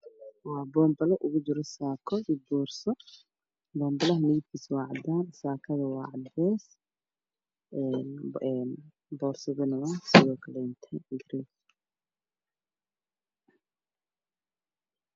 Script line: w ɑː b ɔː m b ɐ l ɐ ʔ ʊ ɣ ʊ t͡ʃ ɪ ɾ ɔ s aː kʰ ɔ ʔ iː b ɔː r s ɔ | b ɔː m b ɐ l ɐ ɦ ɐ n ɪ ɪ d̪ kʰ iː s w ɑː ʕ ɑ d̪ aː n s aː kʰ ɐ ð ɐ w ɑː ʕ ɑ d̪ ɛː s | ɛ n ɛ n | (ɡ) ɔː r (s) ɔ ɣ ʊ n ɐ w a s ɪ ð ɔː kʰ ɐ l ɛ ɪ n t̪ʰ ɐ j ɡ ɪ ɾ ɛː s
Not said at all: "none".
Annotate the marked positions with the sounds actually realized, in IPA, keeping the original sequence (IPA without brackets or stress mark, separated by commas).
b, s